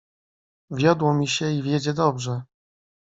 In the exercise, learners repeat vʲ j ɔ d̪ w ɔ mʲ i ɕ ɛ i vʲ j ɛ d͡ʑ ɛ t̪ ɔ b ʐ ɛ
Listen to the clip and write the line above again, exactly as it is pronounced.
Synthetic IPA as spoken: vʲ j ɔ d̪ w ɔ mʲ i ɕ ɛ i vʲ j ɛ d͡ʑ ɛ d̪ ɔ b ʐ ɛ